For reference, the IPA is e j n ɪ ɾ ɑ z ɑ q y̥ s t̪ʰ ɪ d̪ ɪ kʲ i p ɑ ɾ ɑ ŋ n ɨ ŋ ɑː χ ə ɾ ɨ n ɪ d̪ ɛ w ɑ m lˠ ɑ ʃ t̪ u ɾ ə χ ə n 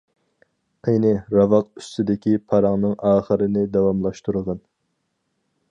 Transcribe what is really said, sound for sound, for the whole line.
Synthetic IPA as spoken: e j n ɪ ɾ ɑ v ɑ q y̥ s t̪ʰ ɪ d̪ ɪ kʲ i pʰ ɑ ɾ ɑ ŋ n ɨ ŋ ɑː χ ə ɾ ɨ n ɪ d̪ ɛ w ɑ m lˠ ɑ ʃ t̪ u ɾ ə ʁ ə n